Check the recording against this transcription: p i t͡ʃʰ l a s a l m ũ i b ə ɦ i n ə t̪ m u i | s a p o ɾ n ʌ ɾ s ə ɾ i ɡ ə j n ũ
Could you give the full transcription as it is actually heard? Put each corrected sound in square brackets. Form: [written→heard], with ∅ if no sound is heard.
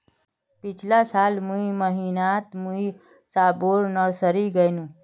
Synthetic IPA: p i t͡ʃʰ l a s a l m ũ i [b→m] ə ɦ i n [ə→a] t̪ m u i | s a [p→b] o ɾ n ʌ ɾ s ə ɾ i ɡ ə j n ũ